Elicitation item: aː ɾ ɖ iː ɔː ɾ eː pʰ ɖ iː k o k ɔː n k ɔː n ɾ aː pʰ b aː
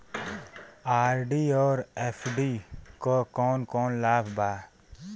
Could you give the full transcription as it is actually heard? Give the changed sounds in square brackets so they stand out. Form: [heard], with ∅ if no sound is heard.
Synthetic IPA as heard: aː ɾ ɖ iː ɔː ɾ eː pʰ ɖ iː k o k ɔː n k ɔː n [l] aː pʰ b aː